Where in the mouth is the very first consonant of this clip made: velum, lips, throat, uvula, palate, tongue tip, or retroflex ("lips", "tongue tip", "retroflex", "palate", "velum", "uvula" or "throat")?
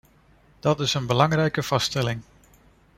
tongue tip